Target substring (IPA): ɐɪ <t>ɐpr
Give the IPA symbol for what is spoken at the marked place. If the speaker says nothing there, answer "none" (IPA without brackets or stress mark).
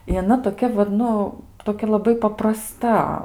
p